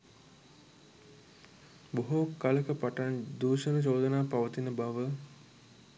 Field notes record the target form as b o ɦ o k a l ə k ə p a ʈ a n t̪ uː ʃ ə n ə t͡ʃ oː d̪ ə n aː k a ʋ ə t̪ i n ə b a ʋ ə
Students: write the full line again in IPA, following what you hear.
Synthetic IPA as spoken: b o ɦ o k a l ə k ə p a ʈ a n d̪ uː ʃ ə n ə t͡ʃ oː d̪ ə n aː p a ʋ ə t̪ i n ə b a ʋ ə